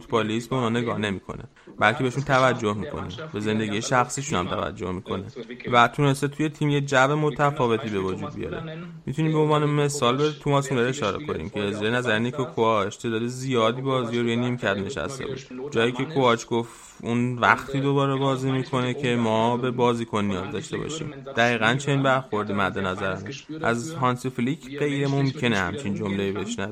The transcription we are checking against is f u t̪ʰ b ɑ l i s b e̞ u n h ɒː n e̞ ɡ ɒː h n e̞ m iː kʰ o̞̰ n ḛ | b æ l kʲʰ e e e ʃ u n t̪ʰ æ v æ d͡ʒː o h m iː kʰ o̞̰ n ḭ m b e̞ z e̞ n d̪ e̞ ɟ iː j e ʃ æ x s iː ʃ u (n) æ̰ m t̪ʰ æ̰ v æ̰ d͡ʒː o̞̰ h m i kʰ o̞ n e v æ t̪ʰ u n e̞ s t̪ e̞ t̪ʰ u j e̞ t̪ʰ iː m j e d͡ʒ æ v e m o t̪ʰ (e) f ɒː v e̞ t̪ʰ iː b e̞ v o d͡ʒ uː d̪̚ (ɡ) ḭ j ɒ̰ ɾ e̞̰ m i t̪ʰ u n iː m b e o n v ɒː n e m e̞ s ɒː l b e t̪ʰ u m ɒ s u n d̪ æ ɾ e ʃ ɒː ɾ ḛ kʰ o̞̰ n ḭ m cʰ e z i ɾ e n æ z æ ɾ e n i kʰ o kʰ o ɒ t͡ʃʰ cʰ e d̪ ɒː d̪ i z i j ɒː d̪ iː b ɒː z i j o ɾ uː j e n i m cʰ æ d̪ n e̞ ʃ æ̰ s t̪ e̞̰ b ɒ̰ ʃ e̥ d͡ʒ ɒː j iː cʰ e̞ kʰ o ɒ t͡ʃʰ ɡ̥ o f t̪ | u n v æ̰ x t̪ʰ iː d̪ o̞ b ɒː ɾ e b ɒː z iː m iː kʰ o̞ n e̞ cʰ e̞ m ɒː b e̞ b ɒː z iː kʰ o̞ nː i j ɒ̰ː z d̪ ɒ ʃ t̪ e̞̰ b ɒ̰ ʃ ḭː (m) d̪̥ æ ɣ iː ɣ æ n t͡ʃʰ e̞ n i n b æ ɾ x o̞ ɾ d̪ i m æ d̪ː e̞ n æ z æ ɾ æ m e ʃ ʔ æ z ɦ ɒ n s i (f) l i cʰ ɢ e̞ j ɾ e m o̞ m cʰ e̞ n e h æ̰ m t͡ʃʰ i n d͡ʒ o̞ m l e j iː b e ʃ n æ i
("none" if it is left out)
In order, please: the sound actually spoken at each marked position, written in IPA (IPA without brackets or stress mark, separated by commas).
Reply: n, æ, b, m, f